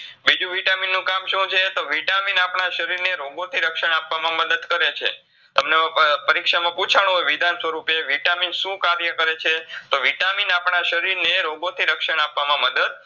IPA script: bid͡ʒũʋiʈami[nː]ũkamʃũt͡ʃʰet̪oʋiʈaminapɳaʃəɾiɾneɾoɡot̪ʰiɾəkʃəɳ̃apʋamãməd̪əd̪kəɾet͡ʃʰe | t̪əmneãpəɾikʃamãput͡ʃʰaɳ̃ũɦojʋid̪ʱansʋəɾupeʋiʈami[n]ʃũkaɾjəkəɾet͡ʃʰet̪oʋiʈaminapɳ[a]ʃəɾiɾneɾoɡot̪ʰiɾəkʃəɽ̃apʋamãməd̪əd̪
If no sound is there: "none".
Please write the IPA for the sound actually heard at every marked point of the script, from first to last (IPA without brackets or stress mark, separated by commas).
nː, n, a